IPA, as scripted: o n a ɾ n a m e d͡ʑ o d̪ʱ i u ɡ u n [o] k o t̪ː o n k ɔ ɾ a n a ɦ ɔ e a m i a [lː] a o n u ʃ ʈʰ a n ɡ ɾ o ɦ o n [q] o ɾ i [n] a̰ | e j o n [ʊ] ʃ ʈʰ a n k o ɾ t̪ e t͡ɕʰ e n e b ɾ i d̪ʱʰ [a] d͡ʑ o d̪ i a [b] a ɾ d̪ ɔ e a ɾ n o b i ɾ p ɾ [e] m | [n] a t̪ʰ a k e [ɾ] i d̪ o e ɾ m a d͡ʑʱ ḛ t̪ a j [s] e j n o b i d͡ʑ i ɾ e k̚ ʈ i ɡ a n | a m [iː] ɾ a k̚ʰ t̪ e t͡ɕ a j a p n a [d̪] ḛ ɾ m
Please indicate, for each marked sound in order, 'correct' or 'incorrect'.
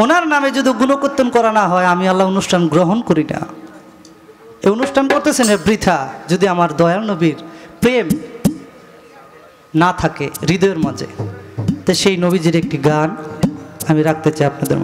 correct, correct, incorrect: k, correct, incorrect: u, correct, incorrect: m, correct, correct, correct, incorrect: ʃ, incorrect: i, correct

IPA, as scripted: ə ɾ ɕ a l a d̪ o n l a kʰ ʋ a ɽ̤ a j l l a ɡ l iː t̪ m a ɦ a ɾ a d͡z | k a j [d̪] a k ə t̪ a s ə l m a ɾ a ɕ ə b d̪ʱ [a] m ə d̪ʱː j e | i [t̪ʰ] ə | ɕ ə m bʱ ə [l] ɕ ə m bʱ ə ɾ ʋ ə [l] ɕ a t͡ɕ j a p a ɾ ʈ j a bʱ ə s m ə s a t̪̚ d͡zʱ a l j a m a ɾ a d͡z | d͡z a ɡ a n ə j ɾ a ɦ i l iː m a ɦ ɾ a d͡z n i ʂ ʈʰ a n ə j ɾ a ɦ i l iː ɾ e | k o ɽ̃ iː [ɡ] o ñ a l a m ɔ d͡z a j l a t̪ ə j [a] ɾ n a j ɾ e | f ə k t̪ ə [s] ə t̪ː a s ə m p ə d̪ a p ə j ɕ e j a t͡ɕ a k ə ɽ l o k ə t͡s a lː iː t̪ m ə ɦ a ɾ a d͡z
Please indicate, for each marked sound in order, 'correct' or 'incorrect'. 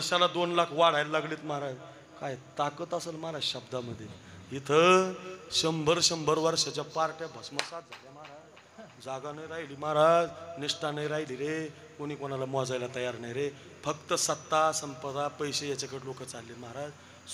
incorrect: t̪, correct, correct, incorrect: ɾ, incorrect: ɾ, incorrect: k, correct, correct

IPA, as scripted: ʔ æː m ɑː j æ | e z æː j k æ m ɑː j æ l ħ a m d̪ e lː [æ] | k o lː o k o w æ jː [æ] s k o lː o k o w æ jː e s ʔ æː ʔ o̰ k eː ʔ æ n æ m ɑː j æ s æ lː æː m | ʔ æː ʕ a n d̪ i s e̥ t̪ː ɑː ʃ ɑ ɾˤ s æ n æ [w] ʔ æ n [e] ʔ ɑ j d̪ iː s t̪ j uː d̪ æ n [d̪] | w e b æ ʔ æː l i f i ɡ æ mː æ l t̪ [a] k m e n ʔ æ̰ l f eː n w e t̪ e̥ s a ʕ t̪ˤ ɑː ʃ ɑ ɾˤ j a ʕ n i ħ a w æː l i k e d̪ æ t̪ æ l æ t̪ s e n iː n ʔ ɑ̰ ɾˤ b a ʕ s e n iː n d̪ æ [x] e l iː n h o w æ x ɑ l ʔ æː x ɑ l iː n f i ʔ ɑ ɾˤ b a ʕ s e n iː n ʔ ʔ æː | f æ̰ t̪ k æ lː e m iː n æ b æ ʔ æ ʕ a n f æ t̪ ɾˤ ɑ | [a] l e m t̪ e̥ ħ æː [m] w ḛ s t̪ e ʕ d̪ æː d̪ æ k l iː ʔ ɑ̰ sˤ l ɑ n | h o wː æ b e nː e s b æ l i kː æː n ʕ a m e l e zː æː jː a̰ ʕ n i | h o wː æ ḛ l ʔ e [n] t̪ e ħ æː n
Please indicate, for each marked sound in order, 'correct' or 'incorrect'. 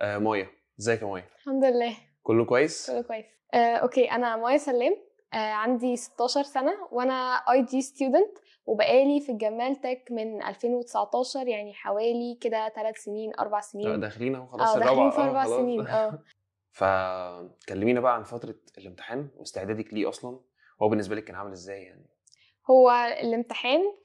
incorrect: æː, incorrect: e, correct, incorrect: æ, incorrect: t̪, incorrect: æ, correct, incorrect: e, incorrect: n, incorrect: m

